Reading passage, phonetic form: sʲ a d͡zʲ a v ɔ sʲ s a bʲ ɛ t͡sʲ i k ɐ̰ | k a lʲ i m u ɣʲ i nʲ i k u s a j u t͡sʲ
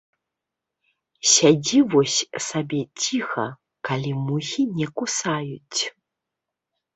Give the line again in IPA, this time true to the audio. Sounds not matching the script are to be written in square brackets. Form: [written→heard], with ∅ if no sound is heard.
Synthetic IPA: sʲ a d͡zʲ [a→i] v ɔ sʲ s a bʲ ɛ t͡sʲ i [k→x] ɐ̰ | k a lʲ i m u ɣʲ i nʲ [i→ɛ] k u s a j u t͡sʲ